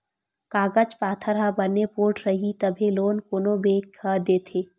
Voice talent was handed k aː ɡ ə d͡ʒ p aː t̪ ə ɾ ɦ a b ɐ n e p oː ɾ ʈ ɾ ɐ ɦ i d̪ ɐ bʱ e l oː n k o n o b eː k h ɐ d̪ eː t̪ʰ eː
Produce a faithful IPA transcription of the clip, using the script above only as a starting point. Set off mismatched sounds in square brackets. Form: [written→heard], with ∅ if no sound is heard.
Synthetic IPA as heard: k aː ɡ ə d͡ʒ p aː [t̪→t̪ʰ] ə ɾ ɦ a b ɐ n e p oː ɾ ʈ ɾ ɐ ɦ i [d̪→t̪] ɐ bʱ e l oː n k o n o b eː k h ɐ d̪ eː t̪ʰ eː